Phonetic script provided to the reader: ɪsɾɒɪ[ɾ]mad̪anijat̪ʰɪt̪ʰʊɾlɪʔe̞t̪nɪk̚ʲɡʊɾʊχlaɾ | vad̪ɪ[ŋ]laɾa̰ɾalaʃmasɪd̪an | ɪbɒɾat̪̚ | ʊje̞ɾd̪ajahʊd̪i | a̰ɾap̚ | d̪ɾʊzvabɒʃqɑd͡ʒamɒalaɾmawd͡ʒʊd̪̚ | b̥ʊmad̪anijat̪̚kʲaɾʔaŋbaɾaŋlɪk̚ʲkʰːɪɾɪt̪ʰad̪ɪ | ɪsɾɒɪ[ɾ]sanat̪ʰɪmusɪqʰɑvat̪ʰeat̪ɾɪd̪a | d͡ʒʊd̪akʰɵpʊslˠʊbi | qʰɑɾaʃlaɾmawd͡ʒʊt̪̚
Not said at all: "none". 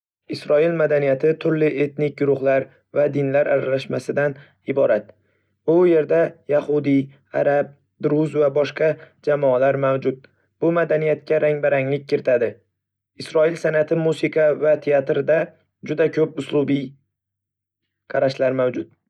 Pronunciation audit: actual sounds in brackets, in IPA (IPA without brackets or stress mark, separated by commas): l, n, l